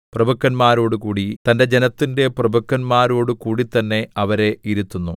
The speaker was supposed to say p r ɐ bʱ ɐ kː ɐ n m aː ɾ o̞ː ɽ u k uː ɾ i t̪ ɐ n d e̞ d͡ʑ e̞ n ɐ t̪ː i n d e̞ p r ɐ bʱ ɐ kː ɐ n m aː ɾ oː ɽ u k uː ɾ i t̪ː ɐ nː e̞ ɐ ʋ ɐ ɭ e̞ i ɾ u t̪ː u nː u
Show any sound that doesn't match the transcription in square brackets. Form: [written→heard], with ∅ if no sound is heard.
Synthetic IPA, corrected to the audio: p r ɐ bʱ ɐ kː ɐ n m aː ɾ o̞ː ɽ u k uː [ɾ→ɽ] i t̪ ɐ n d e̞ d͡ʑ e̞ n ɐ t̪ː i n d e̞ p r ɐ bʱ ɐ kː ɐ n m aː ɾ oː ɽ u k uː [ɾ→ɽ] i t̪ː ɐ nː e̞ ɐ ʋ ɐ [ɭ→ɾ] e̞ i ɾ u t̪ː u nː u